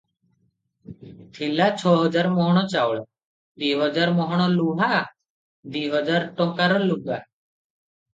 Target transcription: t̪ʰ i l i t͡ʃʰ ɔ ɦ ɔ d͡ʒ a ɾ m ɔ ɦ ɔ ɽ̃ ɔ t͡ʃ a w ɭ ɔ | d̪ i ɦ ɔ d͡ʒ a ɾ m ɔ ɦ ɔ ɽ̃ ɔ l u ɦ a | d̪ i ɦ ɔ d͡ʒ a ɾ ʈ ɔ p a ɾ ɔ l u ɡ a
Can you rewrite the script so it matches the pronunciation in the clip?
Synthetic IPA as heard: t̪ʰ i l a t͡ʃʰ ɔ ɦ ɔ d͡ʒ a ɾ m ɔ ɦ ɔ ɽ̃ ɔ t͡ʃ a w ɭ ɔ | d̪ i ɦ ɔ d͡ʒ a ɾ m ɔ ɦ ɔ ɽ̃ ɔ l u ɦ a | d̪ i ɦ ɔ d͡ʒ a ɾ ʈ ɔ k a ɾ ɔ l u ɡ a